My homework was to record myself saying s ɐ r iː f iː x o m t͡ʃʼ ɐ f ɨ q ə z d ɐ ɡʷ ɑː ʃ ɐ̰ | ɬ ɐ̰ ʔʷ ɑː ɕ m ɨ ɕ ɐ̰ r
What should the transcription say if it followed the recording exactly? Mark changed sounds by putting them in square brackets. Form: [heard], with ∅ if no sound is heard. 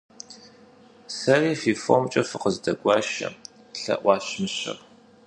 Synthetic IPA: s ɐ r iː f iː [f] o m t͡ʃʼ ɐ f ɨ q ə z d ɐ ɡʷ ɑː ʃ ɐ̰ | ɬ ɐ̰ ʔʷ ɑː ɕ m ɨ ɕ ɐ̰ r